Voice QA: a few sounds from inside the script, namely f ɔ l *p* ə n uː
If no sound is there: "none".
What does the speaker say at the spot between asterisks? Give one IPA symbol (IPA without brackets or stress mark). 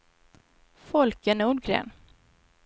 k